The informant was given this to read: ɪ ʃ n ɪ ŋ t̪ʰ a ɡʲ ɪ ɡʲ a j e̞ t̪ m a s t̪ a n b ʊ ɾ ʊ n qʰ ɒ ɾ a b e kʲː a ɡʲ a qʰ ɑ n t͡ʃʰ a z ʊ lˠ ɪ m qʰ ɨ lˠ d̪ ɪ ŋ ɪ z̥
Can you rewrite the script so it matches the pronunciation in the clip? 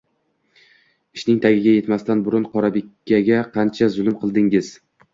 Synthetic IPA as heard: ɪ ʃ n ɪ ŋ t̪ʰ a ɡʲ ɪ ɡʲ a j e̞ t̪ m a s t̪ a n b ʊ ɾ ʊ n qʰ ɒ ɾ a b e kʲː a ɡʲ a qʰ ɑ n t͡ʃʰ a z ʊ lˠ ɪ m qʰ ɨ lˠ d̪ ɪ ŋ ɪ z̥